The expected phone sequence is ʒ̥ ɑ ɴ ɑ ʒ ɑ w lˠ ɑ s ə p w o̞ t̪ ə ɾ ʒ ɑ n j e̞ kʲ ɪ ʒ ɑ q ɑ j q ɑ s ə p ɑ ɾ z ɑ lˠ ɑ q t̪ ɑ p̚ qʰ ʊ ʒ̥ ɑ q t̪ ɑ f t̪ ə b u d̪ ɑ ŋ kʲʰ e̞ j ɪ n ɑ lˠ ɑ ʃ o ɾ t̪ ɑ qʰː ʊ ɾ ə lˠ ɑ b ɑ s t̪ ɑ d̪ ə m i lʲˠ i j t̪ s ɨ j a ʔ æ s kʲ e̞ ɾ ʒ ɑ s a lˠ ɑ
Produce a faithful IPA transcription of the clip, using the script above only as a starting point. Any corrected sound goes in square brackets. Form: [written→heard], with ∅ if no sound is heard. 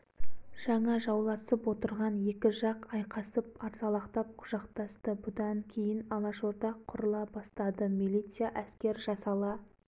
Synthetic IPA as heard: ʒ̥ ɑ ɴ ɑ ʒ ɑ w lˠ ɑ s ə p w o̞ t̪ ə ɾ [ʒ→ʁ] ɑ n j e̞ kʲ ɪ ʒ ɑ q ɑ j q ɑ s ə p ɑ ɾ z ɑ lˠ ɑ q t̪ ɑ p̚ qʰ ʊ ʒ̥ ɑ q t̪ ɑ [f→s] t̪ ə b [u→ʊ] d̪ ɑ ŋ kʲʰ e̞ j ɪ n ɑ lˠ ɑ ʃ o ɾ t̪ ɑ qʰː ʊ ɾ ə lˠ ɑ b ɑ s t̪ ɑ d̪ ə m i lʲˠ i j t̪ s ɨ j a ʔ æ s kʲ e̞ ɾ ʒ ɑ s [a→ɑ] lˠ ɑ